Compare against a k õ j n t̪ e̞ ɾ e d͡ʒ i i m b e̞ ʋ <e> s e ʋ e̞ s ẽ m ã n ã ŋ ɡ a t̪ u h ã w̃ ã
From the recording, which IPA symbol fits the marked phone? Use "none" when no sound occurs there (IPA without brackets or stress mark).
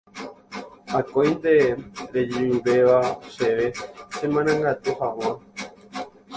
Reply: a